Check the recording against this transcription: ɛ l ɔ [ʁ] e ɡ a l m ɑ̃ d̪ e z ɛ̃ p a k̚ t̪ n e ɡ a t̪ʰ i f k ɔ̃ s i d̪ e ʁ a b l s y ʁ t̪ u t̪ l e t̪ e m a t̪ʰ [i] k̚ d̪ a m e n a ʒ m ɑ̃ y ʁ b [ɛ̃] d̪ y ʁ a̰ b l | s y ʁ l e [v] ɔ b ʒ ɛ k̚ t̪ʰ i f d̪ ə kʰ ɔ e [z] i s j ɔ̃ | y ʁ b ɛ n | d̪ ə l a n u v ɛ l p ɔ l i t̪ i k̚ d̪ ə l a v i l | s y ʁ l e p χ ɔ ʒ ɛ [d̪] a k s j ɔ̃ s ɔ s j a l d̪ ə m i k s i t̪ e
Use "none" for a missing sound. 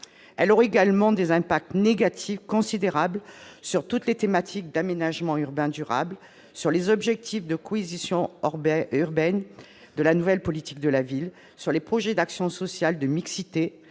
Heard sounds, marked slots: ʁ, i, ɛ̃, z, z, d̪

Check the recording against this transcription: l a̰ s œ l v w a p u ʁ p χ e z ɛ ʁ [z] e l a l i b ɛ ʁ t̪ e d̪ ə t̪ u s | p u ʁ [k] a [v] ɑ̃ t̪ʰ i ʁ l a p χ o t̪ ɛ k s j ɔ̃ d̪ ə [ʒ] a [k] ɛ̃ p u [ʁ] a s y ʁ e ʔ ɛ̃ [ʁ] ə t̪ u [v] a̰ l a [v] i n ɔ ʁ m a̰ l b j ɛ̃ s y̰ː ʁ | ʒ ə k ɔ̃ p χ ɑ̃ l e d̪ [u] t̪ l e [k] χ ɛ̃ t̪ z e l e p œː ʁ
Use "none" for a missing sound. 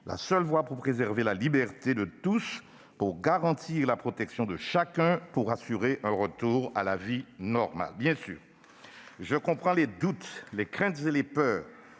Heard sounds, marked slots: v, ɡ, ʁ, ʃ, k, ʁ, ʁ, ʁ, v, u, k

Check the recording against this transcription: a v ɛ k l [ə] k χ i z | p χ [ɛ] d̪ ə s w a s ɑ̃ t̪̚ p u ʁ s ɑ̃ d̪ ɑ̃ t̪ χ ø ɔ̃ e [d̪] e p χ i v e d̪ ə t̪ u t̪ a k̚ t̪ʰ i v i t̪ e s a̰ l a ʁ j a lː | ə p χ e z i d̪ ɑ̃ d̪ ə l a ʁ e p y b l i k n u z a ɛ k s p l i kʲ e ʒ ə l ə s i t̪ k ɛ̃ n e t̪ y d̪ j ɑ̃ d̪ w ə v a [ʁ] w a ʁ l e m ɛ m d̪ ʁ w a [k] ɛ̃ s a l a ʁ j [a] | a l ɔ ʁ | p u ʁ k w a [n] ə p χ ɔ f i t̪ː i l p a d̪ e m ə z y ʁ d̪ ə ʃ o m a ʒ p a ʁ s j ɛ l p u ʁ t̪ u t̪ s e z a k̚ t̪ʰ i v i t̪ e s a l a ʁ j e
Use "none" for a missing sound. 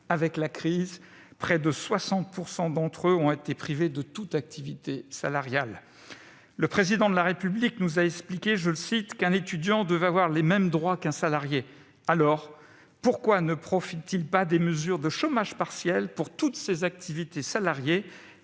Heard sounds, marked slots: a, ɛ, t̪, v, k, e, n

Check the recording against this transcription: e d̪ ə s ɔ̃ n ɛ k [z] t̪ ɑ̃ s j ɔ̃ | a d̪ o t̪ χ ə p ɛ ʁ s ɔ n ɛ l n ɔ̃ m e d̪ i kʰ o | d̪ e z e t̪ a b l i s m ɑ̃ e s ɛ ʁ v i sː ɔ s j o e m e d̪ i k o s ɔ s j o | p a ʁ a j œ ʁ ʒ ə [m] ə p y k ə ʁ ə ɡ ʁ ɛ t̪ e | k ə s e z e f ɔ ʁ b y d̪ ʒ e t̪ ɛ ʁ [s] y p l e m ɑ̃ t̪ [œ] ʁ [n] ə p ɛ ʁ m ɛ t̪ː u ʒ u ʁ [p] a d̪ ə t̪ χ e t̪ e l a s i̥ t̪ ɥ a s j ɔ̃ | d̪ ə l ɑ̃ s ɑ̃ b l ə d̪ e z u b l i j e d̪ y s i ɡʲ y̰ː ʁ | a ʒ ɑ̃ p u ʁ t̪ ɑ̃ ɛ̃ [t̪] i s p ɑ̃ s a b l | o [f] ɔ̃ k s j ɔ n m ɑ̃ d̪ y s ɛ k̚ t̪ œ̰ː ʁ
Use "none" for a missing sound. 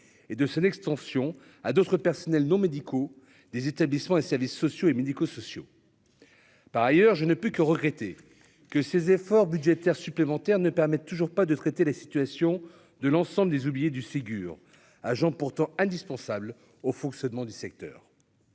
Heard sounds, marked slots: s, n, s, ɛ, n, p, d̪, f

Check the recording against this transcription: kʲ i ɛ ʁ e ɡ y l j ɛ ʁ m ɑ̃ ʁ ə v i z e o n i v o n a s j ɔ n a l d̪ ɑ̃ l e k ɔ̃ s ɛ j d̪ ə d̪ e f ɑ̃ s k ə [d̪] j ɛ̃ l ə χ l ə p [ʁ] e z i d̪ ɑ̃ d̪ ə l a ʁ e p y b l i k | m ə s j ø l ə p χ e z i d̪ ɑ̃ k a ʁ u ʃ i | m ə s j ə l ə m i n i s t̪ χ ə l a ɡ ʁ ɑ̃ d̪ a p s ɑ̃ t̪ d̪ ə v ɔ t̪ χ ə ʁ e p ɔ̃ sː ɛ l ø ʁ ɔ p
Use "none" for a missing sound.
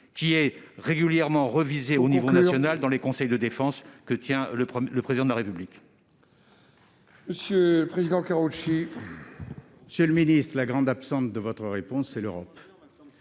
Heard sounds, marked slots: t̪, χ

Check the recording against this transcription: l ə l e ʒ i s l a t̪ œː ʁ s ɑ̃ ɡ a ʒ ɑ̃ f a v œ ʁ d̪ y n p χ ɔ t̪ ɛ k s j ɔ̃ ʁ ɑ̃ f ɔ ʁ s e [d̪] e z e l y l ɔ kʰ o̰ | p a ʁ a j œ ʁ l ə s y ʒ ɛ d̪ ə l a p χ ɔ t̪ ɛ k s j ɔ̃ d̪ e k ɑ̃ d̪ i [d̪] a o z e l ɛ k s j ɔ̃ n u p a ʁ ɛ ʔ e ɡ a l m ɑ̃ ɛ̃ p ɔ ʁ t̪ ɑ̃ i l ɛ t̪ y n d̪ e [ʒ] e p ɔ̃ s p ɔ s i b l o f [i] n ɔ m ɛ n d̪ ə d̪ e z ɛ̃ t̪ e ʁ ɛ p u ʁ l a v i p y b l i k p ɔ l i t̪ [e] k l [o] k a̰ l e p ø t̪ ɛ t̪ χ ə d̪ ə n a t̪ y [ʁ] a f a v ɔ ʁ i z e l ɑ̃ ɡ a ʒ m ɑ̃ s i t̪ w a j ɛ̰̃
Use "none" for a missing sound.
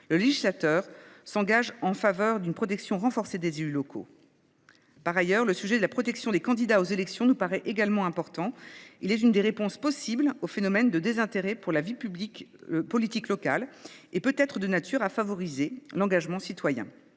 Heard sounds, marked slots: d̪, d̪, ʁ, e, i, ɔ, ʁ

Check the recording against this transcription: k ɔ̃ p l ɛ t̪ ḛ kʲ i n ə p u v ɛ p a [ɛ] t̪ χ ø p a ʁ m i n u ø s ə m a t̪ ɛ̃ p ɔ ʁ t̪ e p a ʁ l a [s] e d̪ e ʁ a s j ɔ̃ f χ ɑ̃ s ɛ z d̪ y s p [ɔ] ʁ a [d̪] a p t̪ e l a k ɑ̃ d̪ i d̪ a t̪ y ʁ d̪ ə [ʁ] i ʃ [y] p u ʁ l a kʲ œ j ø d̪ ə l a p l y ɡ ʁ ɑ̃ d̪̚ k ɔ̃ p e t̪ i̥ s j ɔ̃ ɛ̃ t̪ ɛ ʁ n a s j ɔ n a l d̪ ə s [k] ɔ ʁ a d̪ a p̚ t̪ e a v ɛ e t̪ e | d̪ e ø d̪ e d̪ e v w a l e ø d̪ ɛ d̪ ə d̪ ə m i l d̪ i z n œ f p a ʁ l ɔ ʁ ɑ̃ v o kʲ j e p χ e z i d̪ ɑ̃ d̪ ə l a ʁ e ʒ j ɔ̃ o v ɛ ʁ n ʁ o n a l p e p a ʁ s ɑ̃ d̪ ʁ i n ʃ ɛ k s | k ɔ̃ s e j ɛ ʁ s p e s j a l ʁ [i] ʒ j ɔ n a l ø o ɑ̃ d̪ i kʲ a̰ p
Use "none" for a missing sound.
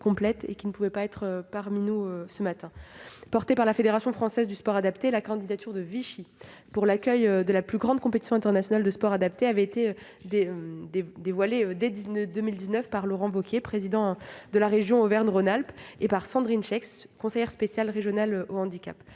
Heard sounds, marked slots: ɛ, f, ɔ, d̪, v, i, p, e

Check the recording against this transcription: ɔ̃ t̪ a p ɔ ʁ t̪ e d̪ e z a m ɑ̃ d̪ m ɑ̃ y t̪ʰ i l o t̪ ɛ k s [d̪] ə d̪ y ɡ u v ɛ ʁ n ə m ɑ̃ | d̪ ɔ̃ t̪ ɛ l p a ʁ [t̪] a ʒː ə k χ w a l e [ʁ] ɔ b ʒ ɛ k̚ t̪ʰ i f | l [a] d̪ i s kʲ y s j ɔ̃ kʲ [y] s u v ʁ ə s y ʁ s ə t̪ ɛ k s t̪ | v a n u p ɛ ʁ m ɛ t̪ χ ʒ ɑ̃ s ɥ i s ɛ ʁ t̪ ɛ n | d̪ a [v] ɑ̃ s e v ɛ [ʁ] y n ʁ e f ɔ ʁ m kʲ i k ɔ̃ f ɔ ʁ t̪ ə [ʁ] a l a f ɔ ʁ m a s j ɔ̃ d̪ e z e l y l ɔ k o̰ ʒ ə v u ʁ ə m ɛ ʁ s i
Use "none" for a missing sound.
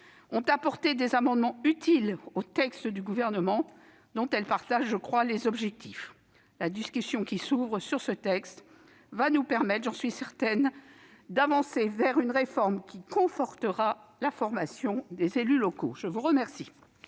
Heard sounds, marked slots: t̪, t̪, z, a, i, v, ʁ, ʁ

